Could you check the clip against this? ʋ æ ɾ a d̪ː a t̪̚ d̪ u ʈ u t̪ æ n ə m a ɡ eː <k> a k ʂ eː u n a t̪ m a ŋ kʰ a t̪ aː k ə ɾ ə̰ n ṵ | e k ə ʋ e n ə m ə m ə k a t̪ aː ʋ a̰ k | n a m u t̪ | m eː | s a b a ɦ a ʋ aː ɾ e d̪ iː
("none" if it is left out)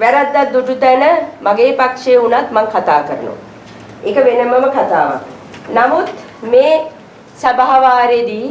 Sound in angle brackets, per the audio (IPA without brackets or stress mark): p